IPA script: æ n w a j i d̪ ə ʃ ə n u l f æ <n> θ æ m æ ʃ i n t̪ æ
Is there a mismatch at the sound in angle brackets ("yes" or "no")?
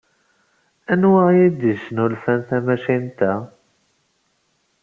no